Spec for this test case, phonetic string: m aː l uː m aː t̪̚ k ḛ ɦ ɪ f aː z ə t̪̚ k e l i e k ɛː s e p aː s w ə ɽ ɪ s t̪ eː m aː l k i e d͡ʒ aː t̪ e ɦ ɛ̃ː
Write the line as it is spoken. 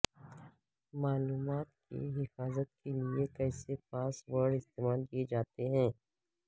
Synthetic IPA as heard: m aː l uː m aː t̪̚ k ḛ ɦ ɪ f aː z ə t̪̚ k e l i e k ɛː s e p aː s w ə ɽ ɪ s t̪ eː m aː l k i e d͡ʒ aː t̪ e ɦ ɛ̃ː